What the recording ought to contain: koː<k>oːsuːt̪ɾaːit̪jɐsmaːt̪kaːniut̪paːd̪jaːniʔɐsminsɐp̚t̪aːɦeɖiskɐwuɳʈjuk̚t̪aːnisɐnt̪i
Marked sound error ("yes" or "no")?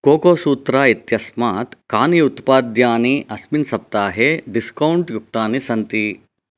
no